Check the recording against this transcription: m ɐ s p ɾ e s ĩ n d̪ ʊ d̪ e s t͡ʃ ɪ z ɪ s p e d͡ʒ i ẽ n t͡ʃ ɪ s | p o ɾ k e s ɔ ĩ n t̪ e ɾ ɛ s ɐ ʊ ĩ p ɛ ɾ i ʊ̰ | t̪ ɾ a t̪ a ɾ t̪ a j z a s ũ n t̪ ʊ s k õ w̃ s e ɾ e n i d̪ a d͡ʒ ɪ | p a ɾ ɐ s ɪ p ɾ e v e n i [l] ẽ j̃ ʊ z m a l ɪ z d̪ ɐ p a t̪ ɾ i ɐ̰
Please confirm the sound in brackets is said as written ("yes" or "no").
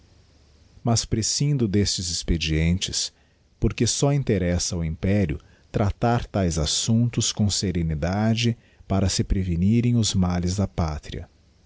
no